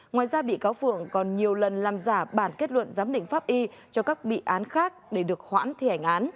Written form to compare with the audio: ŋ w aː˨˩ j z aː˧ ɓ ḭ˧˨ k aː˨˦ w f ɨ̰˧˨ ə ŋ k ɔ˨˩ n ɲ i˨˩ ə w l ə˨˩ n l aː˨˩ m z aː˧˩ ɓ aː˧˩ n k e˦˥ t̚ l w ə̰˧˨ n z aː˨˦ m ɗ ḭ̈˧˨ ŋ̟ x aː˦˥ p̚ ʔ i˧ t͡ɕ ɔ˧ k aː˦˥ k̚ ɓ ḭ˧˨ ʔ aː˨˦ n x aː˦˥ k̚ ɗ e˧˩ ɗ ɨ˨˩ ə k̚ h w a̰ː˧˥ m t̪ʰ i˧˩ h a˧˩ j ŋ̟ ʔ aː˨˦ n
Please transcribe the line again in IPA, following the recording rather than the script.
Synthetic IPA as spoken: ŋ w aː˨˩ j z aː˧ ɓ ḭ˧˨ k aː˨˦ w f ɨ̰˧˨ ə ŋ k ɔ˨˩ n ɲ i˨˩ ə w l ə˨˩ n l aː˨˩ m z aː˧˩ ɓ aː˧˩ n k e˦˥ t̚ l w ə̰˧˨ n z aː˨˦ m ɗ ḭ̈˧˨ ŋ̟ f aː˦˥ p̚ ʔ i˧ t͡ɕ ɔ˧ k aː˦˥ k̚ ɓ ḭ˧˨ ʔ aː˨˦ n x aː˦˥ k̚ ɗ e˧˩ ɗ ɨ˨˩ ə k̚ h w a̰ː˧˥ n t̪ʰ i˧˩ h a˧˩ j ŋ̟ ʔ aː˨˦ n